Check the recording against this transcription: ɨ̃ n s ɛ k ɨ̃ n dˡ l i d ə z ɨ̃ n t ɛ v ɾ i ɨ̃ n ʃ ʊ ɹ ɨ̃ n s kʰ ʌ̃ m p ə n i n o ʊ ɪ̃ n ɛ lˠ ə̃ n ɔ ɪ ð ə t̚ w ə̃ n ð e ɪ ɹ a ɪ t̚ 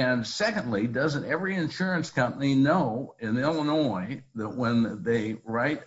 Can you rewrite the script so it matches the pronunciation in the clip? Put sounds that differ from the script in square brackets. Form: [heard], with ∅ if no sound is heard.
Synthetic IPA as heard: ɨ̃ n s ɛ k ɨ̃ n dˡ l i d [ʌ] z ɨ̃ n t ɛ v [ɹ] i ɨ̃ n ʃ ʊ ɹ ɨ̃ n s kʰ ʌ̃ m p ə n i n o ʊ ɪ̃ n ɛ lˠ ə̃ n ɔ ɪ ð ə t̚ w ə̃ n ð e ɪ ɹ a ɪ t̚

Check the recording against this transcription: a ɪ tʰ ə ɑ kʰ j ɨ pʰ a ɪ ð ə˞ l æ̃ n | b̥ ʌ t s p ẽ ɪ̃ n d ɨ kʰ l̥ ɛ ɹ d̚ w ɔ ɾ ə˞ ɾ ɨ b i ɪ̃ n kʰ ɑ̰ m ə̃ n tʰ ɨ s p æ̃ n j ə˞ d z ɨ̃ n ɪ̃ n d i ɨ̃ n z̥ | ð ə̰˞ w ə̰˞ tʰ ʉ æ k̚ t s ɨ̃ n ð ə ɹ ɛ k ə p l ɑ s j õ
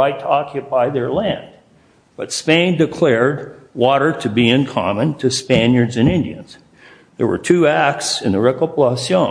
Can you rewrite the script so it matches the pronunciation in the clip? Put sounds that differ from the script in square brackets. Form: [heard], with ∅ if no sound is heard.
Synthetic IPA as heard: a ɪ tʰ ə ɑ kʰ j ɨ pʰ a ɪ ð ə˞ l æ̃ n | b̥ ʌ t s p ẽ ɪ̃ n d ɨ kʰ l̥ ɛ ɹ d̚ w ɔ ɾ ə˞ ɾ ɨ b i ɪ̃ n kʰ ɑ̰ m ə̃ n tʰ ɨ s p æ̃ n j ə˞ d z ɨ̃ n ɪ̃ n d i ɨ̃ n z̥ | ð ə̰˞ w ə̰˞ tʰ ʉ æ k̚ t s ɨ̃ n ð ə ɹ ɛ k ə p l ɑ s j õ

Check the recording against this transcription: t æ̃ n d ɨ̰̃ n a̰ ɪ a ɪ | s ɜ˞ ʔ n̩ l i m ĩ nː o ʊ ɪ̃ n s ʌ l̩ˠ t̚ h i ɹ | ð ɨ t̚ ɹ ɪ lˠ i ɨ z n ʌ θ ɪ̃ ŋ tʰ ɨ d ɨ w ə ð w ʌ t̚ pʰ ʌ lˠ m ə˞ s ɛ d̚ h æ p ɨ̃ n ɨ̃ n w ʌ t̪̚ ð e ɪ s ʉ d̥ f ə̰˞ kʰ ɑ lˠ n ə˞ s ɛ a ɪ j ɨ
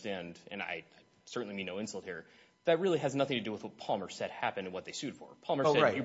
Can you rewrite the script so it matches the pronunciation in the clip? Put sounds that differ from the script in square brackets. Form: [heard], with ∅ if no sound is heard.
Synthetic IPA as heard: t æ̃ n d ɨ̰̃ n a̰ ɪ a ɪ | s ɜ˞ ʔ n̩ l i m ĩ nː o ʊ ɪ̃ n s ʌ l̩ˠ t̚ h i ɹ | ð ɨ t̚ ɹ ɪ lˠ i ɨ z n ʌ θ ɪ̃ ŋ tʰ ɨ d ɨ w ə ð w ʌ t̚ pʰ [ɑ] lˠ m ə˞ s ɛ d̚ h æ p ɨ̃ n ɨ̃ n w ʌ t̪̚ ð e ɪ s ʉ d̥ f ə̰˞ [pʰ] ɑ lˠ [m] ə˞ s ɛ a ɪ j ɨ

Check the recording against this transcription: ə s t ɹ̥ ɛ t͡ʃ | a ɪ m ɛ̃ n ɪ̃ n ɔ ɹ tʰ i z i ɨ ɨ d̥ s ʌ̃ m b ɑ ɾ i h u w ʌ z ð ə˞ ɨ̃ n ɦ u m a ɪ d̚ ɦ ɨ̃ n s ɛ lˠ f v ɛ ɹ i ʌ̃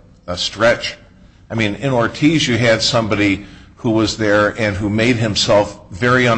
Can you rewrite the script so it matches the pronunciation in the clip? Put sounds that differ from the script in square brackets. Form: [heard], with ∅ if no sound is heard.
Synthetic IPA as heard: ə s t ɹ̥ ɛ t͡ʃ | a ɪ m [ĩ] n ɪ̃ n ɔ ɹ tʰ i z [j] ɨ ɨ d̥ s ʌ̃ m b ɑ ɾ i h u w ʌ z ð ə˞ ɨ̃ n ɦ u m [e] ɪ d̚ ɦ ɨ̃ [m] s ɛ lˠ f v ɛ ɹ i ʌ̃

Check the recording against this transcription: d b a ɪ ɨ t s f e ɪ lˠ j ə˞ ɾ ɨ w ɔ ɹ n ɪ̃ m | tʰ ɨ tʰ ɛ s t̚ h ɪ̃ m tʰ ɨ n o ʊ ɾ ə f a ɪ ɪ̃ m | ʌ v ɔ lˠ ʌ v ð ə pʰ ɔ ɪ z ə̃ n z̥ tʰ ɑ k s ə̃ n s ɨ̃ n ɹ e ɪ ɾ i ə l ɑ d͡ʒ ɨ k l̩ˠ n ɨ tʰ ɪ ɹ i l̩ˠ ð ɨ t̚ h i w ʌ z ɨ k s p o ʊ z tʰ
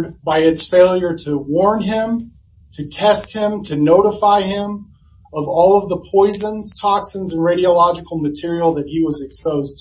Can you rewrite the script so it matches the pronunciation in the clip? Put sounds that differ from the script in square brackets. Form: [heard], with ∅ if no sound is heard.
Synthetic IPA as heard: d b a ɪ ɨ t s f e ɪ lˠ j ə˞ ɾ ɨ w ɔ ɹ n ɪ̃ m | tʰ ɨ tʰ ɛ s t̚ h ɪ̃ m tʰ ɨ n o ʊ ɾ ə f a ɪ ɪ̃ m | ʌ v ɔ lˠ ʌ v ð ə pʰ ɔ ɪ z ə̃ n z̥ tʰ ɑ k s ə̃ n [z] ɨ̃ n ɹ e ɪ ɾ i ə l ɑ d͡ʒ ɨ k l̩ˠ [m] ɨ tʰ ɪ ɹ i l̩ˠ ð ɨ t̚ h i w ʌ z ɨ k s p o ʊ z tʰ

